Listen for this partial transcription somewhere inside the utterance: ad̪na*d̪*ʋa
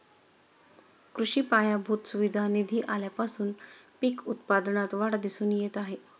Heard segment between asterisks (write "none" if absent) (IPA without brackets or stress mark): t̪